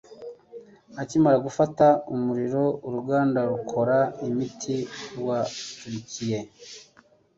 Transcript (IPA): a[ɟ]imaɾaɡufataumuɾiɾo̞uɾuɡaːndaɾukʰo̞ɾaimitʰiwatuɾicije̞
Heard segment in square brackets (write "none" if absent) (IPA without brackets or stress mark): c